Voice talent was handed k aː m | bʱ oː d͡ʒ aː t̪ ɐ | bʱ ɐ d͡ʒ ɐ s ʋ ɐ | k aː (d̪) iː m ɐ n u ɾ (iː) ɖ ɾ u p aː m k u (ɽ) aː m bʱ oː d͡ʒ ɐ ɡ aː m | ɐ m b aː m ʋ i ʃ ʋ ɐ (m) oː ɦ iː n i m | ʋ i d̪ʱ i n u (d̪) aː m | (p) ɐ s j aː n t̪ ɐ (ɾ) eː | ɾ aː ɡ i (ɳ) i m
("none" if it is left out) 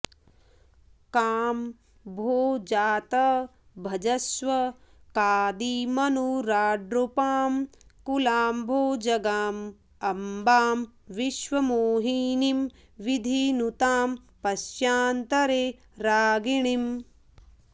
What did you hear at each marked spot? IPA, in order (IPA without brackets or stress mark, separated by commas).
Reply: d̪, aː, l, m, t̪, p, ɾ, ɳ